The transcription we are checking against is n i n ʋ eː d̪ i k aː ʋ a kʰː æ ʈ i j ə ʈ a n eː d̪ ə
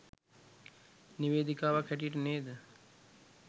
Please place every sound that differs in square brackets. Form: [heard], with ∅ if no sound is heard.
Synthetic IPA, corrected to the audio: n i [∅] ʋ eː d̪ i k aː ʋ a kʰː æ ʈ i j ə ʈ [ə] n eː d̪ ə